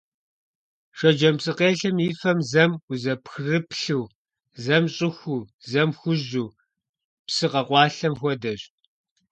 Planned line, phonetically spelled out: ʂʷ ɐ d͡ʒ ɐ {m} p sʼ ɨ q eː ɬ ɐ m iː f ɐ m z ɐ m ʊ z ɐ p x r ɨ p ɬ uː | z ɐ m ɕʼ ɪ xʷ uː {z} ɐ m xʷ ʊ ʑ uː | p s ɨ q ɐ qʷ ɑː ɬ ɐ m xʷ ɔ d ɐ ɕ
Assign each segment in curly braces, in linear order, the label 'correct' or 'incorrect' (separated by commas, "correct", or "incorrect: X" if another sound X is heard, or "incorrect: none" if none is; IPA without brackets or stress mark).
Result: correct, correct